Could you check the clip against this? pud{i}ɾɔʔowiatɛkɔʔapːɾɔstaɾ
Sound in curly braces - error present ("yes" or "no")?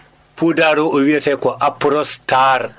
yes